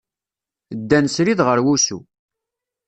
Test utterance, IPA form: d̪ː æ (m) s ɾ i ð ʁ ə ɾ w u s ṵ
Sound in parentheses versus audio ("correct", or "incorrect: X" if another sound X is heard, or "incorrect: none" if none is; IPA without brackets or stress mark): incorrect: n